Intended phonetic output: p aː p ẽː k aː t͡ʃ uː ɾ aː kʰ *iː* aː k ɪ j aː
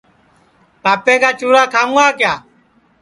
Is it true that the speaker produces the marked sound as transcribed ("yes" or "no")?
no